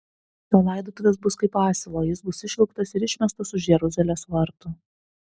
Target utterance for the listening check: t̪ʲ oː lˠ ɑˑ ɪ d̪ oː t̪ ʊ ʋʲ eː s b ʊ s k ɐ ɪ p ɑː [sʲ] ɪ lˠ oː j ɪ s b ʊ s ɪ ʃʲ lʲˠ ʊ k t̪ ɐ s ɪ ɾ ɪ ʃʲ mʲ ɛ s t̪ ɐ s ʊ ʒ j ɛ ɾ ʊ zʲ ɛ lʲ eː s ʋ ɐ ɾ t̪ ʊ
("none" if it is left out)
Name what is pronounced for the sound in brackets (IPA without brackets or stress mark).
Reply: sʲ